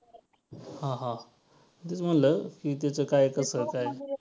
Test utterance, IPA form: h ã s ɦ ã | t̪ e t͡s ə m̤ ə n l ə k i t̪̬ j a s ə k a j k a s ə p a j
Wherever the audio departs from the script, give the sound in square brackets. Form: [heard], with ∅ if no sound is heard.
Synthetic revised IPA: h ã [∅] ɦ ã | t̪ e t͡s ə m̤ ə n l ə k i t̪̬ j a [t͡s] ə k a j k [ə] s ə [k] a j